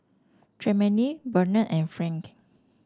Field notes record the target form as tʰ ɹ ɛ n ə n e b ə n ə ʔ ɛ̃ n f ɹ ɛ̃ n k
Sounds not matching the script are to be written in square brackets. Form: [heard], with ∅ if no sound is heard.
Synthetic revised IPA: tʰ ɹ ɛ [m] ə n [i] b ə n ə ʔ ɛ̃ n f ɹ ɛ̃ [ŋ] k